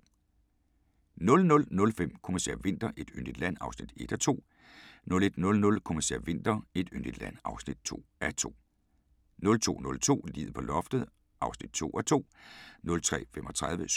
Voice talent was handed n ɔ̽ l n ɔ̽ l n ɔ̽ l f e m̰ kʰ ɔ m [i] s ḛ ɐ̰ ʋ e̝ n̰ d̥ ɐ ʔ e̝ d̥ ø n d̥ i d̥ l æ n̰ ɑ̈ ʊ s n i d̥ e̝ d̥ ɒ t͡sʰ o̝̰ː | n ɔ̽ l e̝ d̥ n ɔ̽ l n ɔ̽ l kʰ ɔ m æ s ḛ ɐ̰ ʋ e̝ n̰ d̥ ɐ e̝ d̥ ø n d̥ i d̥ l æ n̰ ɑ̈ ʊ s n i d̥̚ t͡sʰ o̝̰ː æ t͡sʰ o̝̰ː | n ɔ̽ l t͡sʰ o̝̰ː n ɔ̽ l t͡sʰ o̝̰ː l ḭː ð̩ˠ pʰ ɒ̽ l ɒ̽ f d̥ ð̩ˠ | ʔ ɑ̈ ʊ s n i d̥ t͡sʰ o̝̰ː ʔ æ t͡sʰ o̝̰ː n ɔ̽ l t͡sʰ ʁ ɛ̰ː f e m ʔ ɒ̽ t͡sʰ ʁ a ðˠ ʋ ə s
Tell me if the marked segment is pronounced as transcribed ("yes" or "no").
no